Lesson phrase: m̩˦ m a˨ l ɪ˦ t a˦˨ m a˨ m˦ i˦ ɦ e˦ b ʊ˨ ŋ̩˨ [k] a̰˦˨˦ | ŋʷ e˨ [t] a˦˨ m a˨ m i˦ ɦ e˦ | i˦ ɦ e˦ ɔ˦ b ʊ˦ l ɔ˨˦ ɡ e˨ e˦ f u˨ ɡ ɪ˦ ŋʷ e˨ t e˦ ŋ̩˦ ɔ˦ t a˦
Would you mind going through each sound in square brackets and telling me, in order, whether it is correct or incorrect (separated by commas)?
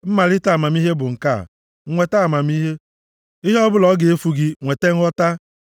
correct, correct